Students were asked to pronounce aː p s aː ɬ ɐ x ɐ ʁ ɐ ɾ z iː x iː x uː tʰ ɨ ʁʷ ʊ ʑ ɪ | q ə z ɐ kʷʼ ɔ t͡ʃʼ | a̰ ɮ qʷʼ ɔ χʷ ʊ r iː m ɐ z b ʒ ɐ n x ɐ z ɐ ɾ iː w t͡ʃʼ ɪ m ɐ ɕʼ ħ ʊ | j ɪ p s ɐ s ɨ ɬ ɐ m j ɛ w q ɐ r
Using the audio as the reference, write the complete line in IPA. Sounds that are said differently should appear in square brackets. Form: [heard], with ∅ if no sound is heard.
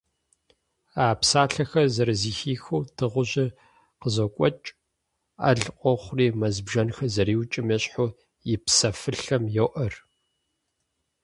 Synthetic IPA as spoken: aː p s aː ɬ ɐ x ɐ [z] ɐ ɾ z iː x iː x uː tʰ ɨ ʁʷ ʊ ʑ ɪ | q ə z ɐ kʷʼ ɔ t͡ʃʼ | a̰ ɮ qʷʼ ɔ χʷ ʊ r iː m ɐ z b ʒ ɐ n x ɐ z ɐ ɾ iː w t͡ʃʼ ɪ m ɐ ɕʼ ħ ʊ | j ɪ p s ɐ [f] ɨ ɬ ɐ m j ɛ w [ʔ] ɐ r